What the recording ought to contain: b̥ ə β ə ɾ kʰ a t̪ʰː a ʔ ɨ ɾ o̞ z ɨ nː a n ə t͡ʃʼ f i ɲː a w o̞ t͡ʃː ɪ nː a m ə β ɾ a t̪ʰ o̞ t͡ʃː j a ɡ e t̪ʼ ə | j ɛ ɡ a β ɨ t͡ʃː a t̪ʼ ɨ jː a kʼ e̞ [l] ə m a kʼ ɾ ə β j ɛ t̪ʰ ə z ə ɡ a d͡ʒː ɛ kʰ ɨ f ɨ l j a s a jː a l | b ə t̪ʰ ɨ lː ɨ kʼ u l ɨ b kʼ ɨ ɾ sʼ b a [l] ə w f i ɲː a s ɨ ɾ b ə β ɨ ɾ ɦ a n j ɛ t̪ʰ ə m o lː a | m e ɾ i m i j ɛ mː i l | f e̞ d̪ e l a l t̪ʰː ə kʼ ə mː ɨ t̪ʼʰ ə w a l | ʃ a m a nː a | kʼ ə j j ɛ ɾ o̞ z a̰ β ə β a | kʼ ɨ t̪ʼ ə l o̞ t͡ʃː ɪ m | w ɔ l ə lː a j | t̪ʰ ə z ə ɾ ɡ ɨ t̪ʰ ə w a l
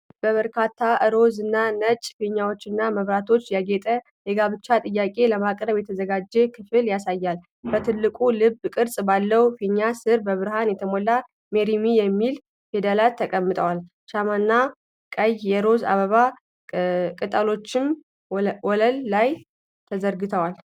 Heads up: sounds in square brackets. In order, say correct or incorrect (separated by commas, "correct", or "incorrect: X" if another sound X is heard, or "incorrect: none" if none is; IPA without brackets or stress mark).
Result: correct, incorrect: lː